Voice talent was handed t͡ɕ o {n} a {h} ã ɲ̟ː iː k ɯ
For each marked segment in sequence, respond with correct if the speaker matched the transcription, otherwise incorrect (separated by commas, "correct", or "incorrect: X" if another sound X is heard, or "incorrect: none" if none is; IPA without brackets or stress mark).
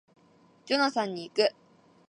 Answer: correct, incorrect: s